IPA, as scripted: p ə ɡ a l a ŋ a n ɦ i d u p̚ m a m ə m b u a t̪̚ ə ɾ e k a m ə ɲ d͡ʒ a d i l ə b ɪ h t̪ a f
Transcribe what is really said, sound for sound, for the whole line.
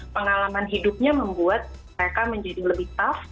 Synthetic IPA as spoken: p ə ŋ a l a m a n ɦ i d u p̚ ɲ a m ə m b u a t̪̚ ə ɾ e k a m ə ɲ d͡ʒ a d i l ə b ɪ h t̪ a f